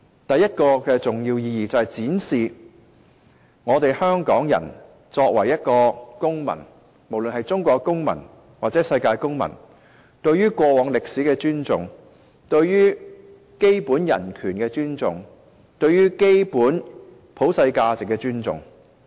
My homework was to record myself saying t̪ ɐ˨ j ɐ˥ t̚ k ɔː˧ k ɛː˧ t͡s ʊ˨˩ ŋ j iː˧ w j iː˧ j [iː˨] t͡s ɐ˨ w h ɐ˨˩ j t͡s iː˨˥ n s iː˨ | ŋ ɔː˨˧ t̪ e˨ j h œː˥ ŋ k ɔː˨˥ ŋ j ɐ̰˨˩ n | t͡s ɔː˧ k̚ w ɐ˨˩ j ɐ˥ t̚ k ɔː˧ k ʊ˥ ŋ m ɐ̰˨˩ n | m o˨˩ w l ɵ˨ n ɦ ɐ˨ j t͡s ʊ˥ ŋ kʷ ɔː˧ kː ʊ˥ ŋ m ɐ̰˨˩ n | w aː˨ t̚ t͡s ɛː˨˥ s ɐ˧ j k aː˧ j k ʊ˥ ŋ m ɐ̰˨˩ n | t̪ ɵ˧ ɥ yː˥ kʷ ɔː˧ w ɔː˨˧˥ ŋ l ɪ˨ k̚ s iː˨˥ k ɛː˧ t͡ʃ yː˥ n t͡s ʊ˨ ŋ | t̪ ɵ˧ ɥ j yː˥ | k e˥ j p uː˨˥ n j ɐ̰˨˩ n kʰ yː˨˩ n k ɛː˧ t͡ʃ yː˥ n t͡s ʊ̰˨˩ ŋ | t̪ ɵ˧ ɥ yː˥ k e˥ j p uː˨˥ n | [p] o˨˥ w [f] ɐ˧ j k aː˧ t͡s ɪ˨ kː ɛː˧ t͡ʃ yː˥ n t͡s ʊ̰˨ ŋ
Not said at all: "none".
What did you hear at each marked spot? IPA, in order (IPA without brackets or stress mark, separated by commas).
iː˨, pʰ, s